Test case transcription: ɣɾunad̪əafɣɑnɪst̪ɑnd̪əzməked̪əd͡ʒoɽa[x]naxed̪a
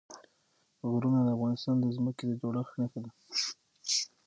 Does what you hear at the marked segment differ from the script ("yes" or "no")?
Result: no